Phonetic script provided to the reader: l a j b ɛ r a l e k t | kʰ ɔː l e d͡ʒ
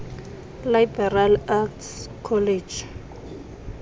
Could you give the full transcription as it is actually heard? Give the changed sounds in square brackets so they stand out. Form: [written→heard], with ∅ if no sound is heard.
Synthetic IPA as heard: l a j b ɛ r a l [e→a] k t | kʰ [ɔː→ɔ] l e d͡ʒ